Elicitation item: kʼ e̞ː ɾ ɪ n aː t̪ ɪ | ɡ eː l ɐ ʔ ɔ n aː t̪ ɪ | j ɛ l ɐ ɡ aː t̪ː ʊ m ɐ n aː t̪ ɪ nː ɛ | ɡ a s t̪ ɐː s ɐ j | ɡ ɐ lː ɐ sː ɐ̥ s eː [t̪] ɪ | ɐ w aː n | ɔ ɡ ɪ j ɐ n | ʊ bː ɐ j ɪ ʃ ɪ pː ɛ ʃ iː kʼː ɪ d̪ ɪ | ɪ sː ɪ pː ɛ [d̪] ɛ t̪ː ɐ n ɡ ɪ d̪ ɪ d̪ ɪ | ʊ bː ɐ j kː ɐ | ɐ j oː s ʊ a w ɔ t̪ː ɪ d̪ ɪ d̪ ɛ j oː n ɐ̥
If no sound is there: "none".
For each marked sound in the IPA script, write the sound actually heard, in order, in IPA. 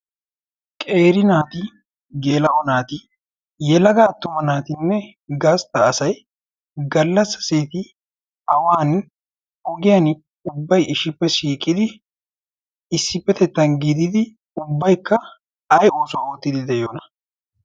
t̪, t̪

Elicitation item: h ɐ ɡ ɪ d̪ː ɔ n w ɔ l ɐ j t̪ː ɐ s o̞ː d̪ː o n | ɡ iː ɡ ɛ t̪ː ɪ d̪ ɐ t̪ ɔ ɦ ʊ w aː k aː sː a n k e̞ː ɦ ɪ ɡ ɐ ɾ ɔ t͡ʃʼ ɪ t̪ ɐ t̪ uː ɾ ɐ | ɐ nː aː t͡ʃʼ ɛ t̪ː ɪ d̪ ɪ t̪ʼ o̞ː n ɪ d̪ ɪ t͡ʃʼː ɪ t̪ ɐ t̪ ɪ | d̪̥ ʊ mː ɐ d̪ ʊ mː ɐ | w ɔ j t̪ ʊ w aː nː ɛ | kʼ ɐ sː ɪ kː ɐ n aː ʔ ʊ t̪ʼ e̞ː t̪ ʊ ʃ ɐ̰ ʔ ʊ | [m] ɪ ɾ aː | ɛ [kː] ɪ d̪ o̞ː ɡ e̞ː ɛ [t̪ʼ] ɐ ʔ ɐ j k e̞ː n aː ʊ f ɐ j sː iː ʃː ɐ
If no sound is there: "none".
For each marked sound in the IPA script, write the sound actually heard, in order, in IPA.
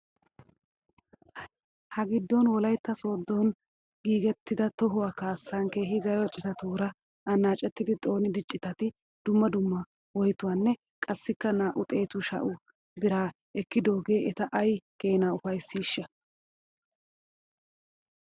b, kː, t̪

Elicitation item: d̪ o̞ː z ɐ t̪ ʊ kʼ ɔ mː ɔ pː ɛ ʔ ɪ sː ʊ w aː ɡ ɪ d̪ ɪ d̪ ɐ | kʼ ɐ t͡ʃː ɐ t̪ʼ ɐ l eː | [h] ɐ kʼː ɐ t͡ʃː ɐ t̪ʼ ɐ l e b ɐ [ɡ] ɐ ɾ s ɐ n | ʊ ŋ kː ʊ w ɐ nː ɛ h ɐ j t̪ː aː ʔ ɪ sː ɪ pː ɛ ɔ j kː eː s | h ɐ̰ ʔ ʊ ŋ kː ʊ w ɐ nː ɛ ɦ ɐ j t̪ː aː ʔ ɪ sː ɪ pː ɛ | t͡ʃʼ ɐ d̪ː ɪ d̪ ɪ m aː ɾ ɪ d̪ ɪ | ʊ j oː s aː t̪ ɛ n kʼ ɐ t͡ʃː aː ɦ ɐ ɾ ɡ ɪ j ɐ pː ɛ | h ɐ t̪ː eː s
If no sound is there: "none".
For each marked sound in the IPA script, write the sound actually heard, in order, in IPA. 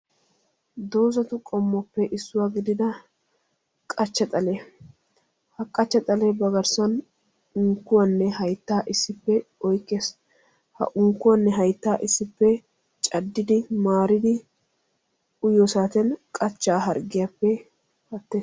h, ɡ

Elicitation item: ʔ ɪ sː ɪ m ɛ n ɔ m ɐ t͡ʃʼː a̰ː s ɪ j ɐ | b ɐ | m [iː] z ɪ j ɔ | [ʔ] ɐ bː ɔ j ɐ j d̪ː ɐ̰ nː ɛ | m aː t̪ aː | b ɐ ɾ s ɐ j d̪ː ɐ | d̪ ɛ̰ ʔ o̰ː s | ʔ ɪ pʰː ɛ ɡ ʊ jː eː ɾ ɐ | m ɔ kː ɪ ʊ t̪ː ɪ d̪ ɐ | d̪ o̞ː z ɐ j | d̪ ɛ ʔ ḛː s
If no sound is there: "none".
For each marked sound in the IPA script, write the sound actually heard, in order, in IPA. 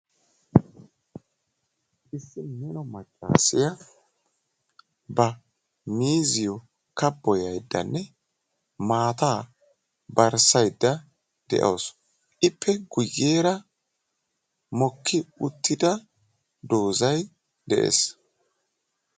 iː, k

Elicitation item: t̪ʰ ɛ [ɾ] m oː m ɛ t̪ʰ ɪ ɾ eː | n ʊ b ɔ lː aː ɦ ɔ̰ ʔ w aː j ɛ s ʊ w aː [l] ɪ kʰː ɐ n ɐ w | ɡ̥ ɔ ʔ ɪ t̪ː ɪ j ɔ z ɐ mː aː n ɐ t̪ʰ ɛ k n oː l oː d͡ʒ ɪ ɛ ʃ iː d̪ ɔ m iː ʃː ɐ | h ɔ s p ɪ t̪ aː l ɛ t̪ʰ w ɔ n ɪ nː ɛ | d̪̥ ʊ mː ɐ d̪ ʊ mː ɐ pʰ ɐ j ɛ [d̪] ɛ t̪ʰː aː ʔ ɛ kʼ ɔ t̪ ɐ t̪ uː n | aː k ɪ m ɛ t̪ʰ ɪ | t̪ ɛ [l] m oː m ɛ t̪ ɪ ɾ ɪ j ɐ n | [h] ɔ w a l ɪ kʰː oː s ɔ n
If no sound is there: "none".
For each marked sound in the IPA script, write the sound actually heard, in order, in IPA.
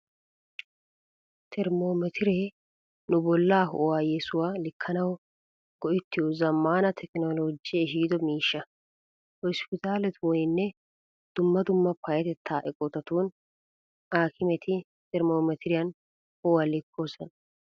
ɾ, l, t̪, ɾ, h

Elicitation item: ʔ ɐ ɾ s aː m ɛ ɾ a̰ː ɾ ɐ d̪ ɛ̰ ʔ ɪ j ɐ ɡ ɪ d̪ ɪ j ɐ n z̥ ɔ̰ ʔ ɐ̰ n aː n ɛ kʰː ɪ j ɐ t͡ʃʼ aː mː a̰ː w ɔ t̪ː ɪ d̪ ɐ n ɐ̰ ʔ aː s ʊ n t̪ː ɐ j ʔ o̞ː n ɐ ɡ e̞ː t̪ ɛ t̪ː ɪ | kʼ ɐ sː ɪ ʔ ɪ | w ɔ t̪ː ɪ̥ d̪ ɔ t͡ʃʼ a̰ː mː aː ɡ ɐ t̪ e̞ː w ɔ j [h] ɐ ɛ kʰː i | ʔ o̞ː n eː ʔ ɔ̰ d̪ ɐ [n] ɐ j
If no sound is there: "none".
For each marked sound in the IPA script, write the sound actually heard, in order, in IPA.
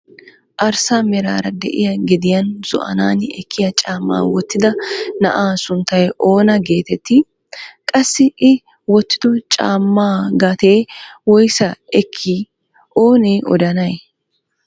s, n

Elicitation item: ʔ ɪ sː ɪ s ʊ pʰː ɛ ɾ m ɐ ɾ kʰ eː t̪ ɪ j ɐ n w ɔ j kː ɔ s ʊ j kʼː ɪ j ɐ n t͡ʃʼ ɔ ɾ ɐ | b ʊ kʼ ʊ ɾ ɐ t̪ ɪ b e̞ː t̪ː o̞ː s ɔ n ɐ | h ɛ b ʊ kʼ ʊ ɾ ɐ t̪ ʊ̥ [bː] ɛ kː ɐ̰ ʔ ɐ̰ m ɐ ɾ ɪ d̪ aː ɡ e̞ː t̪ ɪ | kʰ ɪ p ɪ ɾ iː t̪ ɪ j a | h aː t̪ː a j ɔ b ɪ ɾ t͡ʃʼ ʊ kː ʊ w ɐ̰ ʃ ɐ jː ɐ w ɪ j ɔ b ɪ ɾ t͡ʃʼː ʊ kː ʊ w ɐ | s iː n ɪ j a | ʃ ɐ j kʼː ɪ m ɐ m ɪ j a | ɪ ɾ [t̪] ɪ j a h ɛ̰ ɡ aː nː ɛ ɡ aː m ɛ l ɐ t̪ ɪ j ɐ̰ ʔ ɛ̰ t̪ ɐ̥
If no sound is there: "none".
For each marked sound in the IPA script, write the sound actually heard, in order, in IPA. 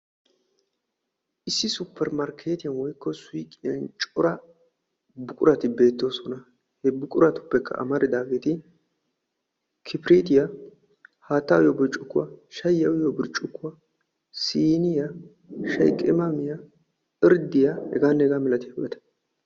pː, d̪

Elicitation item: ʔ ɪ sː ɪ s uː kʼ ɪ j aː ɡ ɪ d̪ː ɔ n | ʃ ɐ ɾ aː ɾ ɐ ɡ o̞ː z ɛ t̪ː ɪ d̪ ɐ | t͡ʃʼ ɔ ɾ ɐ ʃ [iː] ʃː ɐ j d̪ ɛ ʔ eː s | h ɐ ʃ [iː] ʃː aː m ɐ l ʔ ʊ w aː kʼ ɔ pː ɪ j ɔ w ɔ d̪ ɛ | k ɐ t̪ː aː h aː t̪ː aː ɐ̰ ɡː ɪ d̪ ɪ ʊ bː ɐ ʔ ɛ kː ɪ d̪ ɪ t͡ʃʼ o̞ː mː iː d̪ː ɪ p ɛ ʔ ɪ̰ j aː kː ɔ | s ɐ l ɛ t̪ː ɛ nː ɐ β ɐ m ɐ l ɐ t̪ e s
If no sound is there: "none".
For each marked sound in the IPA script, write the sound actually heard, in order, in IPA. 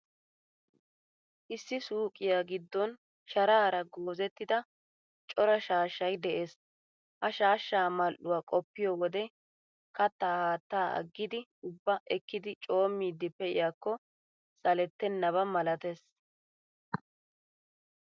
aː, aː

